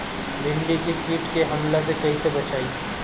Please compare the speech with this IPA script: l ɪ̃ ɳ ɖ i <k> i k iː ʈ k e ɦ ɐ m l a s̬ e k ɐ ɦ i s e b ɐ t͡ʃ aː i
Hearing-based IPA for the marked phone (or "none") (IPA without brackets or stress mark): k